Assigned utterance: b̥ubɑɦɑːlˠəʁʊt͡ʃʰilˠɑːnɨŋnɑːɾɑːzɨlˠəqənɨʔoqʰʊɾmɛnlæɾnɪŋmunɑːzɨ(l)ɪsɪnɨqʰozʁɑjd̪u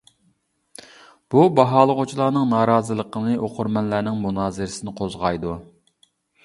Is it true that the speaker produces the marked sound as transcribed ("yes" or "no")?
no